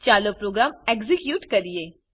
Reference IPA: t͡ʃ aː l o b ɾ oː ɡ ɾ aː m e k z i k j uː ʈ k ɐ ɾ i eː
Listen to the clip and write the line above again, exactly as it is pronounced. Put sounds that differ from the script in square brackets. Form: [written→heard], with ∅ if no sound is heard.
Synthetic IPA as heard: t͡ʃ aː l o [b→p] ɾ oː ɡ ɾ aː m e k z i k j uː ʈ k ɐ ɾ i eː